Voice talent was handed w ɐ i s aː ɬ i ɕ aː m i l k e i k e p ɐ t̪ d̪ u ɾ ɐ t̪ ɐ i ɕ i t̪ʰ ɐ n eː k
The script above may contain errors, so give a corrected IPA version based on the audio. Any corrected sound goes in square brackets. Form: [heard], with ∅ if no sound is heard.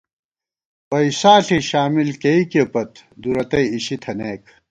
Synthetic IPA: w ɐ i s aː ɬ i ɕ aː m i l k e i k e p ɐ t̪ d̪ u ɾ ɐ t̪ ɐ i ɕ i t̪ʰ ɐ n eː k